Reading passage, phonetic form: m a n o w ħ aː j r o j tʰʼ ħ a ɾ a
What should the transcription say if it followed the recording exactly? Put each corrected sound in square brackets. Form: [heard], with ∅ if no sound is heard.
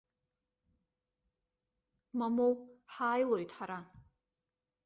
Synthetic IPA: m a [m] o w ħ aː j [l] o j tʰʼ ħ a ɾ a